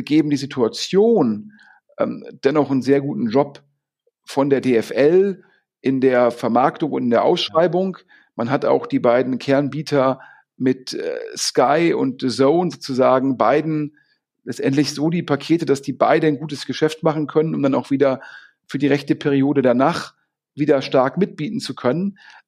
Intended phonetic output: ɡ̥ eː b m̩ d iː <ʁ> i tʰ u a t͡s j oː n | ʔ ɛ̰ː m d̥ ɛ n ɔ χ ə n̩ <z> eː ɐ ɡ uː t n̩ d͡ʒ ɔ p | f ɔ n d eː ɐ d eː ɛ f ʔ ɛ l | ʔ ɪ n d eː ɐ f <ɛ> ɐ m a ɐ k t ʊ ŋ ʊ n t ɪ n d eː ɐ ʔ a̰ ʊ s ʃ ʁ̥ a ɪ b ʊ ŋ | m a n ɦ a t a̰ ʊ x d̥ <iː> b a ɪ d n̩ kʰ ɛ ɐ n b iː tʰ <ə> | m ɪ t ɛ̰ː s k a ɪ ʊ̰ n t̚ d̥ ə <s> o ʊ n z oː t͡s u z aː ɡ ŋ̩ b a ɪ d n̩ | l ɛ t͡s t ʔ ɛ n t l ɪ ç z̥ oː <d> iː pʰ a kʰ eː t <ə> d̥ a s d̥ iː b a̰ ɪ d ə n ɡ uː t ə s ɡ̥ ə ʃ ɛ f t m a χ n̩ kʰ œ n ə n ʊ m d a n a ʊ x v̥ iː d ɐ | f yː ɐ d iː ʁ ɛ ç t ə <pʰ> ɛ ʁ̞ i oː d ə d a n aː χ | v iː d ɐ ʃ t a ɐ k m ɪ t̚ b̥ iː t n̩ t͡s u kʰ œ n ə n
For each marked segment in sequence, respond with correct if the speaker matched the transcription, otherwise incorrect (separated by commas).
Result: incorrect, correct, correct, correct, incorrect, incorrect, correct, correct, correct